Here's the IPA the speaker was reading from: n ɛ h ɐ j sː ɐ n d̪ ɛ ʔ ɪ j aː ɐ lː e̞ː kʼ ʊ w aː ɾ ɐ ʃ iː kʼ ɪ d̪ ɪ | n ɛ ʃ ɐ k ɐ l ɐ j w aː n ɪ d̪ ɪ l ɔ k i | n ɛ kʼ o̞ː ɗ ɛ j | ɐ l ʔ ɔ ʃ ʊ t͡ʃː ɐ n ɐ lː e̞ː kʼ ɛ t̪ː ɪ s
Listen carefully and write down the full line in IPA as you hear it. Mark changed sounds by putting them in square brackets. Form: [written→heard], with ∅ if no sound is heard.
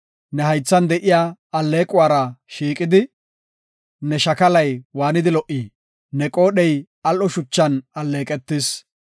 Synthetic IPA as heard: n ɛ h ɐ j [sː→t͡sː] ɐ n d̪ ɛ ʔ ɪ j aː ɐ lː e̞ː kʼ ʊ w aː ɾ ɐ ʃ iː kʼ ɪ d̪ ɪ | n ɛ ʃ ɐ k ɐ l ɐ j w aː n ɪ d̪ ɪ l ɔ [k→ʔ] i | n ɛ kʼ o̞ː ɗ ɛ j | ɐ l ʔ ɔ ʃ ʊ t͡ʃː ɐ n ɐ lː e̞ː kʼ ɛ t̪ː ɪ s